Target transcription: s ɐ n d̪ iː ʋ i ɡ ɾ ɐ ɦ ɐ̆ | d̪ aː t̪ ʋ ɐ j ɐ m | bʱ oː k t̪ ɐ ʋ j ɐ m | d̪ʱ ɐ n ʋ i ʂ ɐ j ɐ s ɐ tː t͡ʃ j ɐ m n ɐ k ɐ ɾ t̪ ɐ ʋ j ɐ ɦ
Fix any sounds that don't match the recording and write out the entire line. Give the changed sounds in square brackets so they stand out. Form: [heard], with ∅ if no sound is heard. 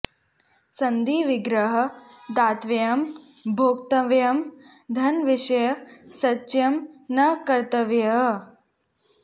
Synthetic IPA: s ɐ n d̪ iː ʋ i ɡ ɾ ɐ ɦ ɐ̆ | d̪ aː t̪ ʋ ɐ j ɐ m | bʱ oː k t̪ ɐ ʋ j ɐ m | d̪ʱ ɐ n ʋ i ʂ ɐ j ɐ s ɐ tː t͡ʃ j ɐ m n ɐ k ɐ ɾ t̪ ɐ ʋ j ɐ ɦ